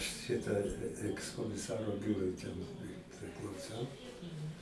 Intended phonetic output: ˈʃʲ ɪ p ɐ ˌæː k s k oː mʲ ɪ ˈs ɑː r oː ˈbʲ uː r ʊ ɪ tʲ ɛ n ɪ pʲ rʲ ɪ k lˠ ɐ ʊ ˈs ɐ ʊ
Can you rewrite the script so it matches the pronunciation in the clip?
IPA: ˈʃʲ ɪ t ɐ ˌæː k s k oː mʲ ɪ ˈs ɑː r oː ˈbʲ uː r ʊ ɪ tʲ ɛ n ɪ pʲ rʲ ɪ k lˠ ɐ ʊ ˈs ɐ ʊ